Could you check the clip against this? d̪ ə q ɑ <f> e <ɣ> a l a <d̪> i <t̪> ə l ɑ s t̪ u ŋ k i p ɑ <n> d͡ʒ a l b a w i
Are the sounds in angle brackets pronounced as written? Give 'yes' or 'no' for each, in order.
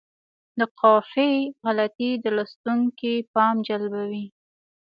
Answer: yes, yes, no, no, no

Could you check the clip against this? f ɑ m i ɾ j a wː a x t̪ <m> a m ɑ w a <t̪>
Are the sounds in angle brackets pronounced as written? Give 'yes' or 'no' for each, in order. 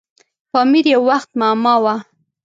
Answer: yes, no

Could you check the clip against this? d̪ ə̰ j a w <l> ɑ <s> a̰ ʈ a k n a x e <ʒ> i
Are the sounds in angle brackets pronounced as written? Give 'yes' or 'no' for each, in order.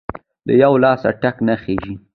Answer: yes, yes, yes

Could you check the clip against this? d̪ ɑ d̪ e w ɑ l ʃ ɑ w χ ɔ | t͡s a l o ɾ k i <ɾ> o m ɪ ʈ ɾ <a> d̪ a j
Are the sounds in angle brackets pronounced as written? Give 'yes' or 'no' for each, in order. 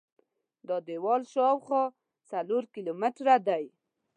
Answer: no, yes

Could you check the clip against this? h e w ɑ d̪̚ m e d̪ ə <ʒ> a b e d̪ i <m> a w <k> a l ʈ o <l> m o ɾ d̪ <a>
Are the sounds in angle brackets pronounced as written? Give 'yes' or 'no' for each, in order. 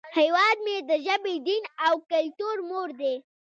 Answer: yes, no, yes, no, no

